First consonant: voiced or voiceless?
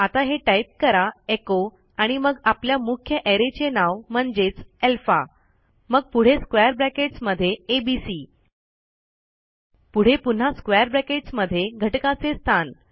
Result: voiceless